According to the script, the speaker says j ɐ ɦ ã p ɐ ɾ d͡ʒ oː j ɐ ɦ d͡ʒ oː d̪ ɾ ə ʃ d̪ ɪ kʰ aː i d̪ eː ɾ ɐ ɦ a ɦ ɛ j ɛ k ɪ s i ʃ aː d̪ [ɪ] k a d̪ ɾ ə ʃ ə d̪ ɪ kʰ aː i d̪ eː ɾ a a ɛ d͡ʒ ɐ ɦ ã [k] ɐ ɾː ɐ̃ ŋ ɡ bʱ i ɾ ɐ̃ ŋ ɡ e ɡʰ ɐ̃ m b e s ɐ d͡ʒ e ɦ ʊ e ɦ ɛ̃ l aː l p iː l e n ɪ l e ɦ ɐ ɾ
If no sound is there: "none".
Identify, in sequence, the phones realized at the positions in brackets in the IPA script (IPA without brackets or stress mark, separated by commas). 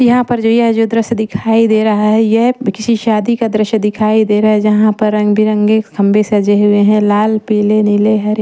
i, p